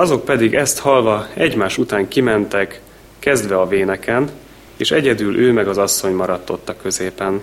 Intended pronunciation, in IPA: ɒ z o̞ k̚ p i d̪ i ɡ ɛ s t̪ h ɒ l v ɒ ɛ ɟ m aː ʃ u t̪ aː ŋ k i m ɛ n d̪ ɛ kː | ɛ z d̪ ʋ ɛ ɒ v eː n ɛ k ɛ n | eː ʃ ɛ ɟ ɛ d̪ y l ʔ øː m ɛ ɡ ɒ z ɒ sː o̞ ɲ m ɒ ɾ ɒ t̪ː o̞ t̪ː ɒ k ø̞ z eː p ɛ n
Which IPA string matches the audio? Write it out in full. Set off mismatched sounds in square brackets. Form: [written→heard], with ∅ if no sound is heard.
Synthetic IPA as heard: ɒ z o̞ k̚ p [i→ɛ] d̪ i ɡ ɛ s t̪ h ɒ l v ɒ ɛ ɟ m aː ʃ u t̪ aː ŋ k i m ɛ n [d̪→t̪] ɛ kː | ɛ z d̪ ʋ ɛ ɒ v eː n ɛ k ɛ n | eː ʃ ɛ ɟ ɛ d̪ y l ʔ øː m ɛ ɡ ɒ z ɒ sː o̞ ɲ m ɒ ɾ ɒ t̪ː o̞ t̪ː ɒ k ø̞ z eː p ɛ n